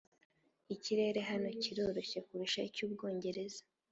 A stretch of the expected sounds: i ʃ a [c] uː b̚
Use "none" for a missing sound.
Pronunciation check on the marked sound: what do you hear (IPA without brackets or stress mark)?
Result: c